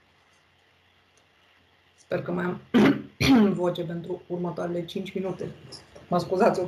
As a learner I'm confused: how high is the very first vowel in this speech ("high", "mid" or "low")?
mid